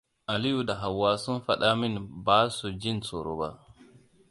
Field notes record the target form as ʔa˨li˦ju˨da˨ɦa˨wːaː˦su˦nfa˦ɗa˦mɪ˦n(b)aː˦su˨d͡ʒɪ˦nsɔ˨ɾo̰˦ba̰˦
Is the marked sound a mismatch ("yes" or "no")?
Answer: no